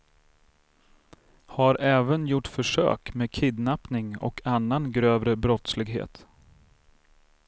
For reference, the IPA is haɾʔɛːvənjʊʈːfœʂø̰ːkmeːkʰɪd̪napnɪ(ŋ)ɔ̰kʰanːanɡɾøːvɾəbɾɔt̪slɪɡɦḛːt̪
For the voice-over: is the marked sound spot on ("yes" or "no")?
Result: yes